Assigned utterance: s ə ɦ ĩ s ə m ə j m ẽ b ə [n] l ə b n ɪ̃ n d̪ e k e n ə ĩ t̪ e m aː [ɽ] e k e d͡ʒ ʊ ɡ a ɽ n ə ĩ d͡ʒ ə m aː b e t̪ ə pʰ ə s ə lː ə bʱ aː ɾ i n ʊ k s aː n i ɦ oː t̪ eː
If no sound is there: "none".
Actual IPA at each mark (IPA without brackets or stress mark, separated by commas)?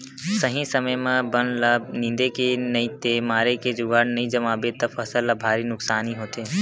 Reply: n, ɾ